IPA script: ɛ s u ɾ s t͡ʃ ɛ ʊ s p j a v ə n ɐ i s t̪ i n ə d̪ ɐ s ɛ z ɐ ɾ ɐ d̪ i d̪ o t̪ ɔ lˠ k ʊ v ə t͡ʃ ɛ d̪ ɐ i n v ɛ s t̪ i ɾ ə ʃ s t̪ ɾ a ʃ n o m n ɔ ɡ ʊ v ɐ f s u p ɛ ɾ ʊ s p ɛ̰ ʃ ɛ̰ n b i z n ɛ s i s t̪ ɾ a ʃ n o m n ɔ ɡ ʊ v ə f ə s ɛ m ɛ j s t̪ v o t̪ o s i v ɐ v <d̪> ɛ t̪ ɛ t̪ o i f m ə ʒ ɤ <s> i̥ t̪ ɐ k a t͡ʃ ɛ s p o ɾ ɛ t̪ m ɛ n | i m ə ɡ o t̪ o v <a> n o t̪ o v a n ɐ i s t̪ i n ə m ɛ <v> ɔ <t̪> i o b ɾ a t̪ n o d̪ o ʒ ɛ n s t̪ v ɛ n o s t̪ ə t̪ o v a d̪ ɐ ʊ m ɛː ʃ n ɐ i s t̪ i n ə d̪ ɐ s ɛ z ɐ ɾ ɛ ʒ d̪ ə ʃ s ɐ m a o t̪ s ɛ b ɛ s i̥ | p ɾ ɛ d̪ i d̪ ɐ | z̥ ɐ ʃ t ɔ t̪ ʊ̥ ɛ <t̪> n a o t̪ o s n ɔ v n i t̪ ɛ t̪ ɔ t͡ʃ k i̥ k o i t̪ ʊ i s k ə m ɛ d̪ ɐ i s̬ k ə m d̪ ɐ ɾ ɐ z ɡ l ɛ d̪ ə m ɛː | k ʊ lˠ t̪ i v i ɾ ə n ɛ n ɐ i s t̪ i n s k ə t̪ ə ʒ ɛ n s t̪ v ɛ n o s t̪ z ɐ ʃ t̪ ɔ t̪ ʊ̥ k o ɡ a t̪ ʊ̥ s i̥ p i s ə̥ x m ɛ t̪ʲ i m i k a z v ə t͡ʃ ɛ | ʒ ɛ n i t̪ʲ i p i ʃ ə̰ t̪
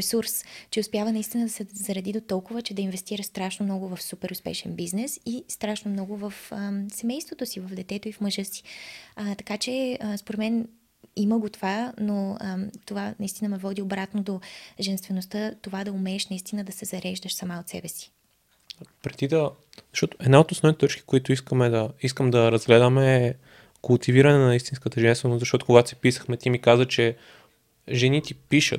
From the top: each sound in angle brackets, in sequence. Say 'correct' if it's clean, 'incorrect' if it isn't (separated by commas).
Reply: correct, correct, correct, correct, incorrect, incorrect